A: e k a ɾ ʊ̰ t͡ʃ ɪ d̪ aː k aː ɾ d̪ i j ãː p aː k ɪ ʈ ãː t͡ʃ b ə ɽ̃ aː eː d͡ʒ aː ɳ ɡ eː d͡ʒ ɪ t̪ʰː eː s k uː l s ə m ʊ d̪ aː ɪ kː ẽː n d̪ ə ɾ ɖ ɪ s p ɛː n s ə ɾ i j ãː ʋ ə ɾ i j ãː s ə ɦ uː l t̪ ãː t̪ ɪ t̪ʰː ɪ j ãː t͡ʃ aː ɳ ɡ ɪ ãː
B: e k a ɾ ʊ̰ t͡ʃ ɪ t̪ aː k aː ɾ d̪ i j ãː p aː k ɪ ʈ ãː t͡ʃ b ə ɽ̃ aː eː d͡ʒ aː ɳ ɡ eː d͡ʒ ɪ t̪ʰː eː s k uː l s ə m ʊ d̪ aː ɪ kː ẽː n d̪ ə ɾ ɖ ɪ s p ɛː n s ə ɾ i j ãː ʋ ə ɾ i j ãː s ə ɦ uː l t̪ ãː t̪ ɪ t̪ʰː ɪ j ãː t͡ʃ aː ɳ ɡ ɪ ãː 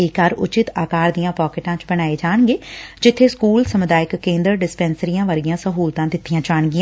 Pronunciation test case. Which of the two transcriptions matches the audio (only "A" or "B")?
B